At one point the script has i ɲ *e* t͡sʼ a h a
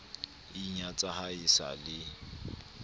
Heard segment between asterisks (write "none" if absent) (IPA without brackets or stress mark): a